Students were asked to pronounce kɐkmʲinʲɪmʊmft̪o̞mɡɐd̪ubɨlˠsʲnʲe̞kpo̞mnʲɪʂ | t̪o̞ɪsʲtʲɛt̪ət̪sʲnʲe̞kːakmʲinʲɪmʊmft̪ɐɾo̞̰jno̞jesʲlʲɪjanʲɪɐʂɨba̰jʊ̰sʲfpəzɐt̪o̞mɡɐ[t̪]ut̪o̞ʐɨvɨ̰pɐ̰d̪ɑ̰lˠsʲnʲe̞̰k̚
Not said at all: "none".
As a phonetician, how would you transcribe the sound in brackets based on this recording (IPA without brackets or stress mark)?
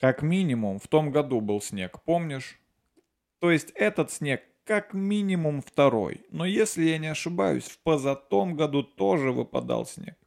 d̪